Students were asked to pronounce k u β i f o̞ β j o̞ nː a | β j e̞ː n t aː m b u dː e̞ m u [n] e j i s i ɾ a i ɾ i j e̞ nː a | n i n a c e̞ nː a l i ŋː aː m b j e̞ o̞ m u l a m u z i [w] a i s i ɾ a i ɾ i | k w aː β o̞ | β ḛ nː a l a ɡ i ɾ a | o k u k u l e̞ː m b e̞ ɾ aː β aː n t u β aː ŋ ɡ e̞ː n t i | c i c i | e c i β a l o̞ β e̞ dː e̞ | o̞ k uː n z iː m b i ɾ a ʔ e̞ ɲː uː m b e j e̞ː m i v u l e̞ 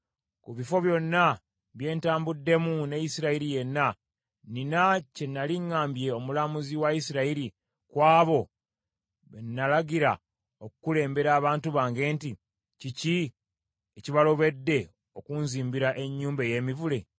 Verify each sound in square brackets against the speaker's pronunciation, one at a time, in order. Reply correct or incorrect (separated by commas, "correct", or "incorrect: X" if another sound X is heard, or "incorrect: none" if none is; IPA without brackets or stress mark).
correct, correct